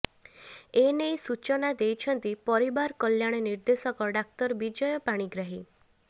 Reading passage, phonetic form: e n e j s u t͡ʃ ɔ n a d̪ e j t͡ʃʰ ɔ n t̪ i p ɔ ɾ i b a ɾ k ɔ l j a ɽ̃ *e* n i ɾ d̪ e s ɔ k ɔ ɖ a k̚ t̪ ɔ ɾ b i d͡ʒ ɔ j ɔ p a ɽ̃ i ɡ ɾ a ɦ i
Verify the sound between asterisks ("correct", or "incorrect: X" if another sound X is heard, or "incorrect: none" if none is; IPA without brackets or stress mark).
correct